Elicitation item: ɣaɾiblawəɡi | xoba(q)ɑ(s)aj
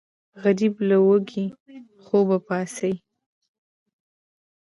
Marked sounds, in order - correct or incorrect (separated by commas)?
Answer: incorrect, correct